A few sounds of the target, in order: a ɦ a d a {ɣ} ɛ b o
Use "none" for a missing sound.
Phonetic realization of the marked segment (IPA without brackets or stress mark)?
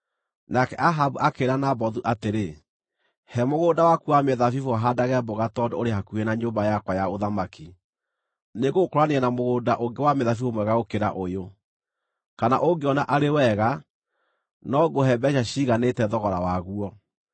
ɣ